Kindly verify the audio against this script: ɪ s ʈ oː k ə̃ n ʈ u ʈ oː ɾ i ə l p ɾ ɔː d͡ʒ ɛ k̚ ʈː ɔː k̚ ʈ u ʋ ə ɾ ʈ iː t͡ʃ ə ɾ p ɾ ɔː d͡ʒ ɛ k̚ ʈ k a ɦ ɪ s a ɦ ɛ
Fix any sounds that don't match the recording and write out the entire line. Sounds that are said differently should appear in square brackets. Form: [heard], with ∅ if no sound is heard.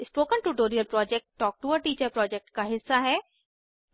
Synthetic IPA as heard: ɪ s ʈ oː k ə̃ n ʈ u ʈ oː ɾ i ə l p ɾ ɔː d͡ʒ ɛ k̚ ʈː ɔː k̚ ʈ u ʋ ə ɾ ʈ iː t͡ʃ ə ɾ p ɾ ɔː d͡ʒ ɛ k̚ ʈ k a ɦ ɪ [sː] a ɦ ɛ

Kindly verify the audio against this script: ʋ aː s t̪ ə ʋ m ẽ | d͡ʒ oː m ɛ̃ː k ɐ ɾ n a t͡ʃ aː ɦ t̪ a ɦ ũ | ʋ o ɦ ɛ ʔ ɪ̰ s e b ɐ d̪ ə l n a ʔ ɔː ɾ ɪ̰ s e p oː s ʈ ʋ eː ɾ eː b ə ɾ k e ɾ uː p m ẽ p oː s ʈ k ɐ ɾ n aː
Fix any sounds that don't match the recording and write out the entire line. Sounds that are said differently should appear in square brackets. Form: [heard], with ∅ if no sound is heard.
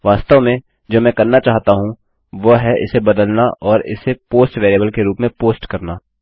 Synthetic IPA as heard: ʋ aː s t̪ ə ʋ m ẽ | d͡ʒ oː m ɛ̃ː k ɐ ɾ n a t͡ʃ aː ɦ t̪ a ɦ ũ | ʋ o ɦ ɛ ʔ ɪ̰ s e b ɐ d̪ ə l n a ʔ ɔː ɾ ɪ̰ s e p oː s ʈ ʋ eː ɾ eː b ə [l] k e ɾ uː p m ẽ p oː s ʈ k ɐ ɾ n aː

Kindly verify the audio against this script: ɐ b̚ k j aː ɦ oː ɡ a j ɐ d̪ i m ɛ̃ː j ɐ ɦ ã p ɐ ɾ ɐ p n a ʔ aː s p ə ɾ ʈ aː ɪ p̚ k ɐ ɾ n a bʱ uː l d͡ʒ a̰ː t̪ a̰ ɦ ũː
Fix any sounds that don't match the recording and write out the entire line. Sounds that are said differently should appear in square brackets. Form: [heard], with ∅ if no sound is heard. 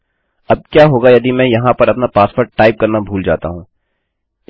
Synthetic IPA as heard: ɐ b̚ k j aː ɦ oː ɡ a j ɐ d̪ i m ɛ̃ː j ɐ ɦ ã p ɐ ɾ ɐ p n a [p] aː s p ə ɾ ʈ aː ɪ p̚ k ɐ ɾ n a bʱ uː l d͡ʒ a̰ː t̪ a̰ ɦ ũː

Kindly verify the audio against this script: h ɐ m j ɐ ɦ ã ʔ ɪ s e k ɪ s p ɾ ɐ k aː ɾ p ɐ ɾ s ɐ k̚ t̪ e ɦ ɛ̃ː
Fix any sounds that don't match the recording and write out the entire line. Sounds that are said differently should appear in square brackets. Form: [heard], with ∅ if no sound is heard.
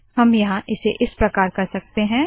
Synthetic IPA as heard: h ɐ m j ɐ ɦ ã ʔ ɪ s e [ʔ] ɪ s p ɾ ɐ k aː ɾ [k] ɐ ɾ s ɐ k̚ t̪ e ɦ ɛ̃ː

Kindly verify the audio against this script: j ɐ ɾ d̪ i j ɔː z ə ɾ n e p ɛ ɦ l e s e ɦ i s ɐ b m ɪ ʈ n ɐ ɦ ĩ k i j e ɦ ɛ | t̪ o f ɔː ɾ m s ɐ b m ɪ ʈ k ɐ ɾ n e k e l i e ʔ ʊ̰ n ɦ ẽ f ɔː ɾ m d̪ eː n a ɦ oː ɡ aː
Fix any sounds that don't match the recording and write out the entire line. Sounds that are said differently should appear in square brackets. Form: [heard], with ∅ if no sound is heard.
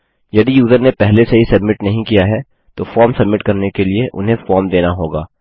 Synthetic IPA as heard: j ɐ [∅] d̪ i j [uː] z ə ɾ n e p ɛ ɦ l e s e ɦ i s ɐ b m ɪ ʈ n ɐ ɦ ĩ k i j [a] ɦ ɛ | t̪ o f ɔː ɾ m s ɐ b m ɪ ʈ k ɐ ɾ n e k e l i e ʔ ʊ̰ n ɦ ẽ f ɔː ɾ m d̪ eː n a ɦ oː ɡ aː

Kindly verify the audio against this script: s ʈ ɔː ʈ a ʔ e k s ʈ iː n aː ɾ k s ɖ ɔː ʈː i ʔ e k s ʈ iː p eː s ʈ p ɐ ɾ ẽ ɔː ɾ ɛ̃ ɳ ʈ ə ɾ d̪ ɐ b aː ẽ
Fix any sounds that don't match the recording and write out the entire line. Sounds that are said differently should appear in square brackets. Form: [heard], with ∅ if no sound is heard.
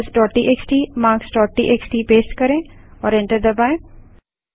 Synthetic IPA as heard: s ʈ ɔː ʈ [i] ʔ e k s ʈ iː [m] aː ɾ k s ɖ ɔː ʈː i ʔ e k s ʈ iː p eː s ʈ [k] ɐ ɾ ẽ ɔː ɾ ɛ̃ ɳ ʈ ə ɾ d̪ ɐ b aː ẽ

